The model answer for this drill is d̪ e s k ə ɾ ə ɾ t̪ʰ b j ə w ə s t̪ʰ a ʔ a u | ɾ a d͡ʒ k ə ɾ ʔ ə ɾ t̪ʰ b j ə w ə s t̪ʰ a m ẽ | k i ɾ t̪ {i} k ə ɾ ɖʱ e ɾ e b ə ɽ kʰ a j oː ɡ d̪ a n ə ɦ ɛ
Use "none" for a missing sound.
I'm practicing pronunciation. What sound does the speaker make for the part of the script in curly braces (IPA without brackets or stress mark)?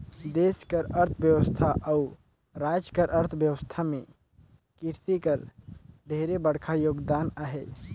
i